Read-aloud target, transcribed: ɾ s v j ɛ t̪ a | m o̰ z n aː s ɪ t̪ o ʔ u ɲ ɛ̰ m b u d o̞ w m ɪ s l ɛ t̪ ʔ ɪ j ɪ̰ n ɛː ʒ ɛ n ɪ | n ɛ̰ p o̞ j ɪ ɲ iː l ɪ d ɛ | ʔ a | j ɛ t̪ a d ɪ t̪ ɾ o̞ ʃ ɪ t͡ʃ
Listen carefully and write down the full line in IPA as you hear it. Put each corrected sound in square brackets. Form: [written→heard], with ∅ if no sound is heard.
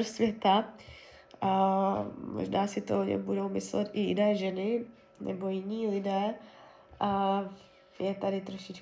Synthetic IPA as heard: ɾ s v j ɛ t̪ a | m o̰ [z→ʒ] n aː s ɪ t̪ o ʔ [u→o] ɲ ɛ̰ m b u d o̞ w m ɪ s l ɛ t̪ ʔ ɪ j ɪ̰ n ɛː ʒ ɛ n ɪ | n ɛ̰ [p→b] o̞ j ɪ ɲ iː l ɪ d [ɛ→ɛː] | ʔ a | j ɛ t̪ a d ɪ t̪ ɾ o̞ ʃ ɪ t͡ʃ